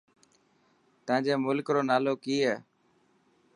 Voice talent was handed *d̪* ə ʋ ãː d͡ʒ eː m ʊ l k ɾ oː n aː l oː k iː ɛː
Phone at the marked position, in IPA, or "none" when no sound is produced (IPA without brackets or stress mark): t̪